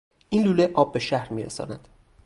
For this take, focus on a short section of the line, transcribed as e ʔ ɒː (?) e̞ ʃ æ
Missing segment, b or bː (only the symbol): bː